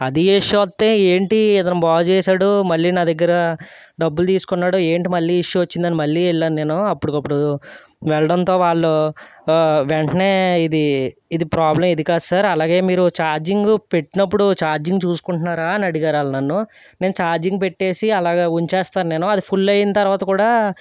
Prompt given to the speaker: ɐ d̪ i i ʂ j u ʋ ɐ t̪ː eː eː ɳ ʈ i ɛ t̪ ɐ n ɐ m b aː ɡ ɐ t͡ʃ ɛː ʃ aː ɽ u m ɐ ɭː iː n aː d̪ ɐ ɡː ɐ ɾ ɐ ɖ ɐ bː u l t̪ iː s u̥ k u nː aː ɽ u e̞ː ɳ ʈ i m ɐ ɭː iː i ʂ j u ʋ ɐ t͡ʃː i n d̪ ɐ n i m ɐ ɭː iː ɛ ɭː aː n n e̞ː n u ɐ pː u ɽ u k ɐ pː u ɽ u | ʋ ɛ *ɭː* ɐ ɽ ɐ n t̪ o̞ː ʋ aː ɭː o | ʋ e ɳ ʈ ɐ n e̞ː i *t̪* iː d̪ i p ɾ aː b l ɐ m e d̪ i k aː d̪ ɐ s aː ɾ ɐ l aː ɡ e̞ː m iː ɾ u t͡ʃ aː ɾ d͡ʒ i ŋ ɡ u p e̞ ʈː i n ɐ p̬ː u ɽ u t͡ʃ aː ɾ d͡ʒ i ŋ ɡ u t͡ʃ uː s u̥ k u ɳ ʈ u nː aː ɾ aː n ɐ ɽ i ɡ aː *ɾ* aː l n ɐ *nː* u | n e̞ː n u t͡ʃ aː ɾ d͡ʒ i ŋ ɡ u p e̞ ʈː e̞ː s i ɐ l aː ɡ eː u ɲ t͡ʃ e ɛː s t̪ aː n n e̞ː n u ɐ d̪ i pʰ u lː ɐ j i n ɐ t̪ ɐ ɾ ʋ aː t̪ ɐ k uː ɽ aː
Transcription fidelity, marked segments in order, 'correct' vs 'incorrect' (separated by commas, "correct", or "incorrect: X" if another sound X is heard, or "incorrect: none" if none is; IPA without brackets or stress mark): incorrect: ɭ, incorrect: d̪, correct, correct